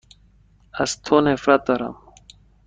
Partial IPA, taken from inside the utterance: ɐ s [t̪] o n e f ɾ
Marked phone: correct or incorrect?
incorrect